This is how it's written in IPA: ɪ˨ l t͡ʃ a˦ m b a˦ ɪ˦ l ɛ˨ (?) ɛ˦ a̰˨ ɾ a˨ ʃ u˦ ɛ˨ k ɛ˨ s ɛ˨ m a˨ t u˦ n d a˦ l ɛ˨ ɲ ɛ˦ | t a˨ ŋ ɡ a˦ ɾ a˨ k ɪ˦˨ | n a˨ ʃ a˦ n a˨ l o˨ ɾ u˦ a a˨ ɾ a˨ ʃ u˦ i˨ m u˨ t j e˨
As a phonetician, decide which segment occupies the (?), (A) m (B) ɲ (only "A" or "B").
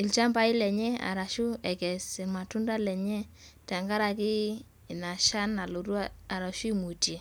B